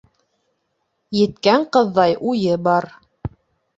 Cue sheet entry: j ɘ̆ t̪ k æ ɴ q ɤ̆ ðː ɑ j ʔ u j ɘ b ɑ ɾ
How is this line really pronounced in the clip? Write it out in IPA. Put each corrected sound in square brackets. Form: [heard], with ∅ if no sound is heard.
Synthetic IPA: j ɘ̆ t̪ k æ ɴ q ɤ̆ ðː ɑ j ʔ u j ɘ b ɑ ɾ